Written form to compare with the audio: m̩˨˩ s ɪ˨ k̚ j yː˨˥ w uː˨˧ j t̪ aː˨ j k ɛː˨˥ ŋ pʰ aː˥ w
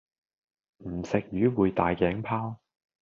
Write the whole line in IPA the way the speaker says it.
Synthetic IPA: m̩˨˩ s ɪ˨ k̚ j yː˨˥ w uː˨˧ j t̪ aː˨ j k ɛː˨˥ ŋ pʰ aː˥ w